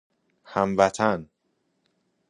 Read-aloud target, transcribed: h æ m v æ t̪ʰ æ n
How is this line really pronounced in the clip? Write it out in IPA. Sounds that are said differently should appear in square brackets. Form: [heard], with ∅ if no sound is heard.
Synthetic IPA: h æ m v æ t̪ʰ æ n